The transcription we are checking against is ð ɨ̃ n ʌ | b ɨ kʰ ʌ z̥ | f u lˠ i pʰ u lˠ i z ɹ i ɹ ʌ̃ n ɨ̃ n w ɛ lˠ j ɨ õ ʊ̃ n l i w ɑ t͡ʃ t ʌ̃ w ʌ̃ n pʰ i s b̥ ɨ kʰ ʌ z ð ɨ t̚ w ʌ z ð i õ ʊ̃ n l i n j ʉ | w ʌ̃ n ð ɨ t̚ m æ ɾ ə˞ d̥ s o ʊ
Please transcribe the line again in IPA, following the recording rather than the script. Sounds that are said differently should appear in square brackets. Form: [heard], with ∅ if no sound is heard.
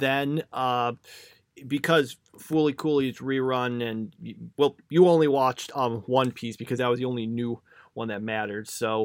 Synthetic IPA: ð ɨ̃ n ʌ | b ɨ kʰ ʌ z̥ | f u lˠ i [kʰ] u lˠ i z ɹ i ɹ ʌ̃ n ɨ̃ n w ɛ lˠ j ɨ õ ʊ̃ n l i w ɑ t͡ʃ t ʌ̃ w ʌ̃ n pʰ i s b̥ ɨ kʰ ʌ z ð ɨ t̚ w ʌ z ð i õ ʊ̃ n l i n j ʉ | w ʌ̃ n ð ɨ t̚ m æ ɾ ə˞ d̥ s o ʊ